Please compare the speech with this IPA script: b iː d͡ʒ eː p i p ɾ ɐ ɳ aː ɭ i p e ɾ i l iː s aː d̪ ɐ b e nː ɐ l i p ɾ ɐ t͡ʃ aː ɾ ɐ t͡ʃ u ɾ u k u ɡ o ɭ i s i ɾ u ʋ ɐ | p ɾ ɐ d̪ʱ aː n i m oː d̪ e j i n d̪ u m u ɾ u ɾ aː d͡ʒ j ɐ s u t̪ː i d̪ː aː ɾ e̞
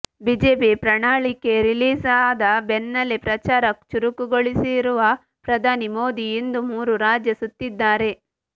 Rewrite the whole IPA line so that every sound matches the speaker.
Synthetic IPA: b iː d͡ʒ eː p i p ɾ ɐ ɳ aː ɭ i k e ɾ i l iː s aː d̪ ɐ b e nː ɐ l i p ɾ ɐ t͡ʃ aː ɾ ɐ t͡ʃ u ɾ u k u ɡ o ɭ i s i ɾ u ʋ ɐ | p ɾ ɐ d̪ʱ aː n i m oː d̪ i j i n d̪ u m uː ɾ u ɾ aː d͡ʒ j ɐ s u t̪ː i d̪ː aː ɾ e̞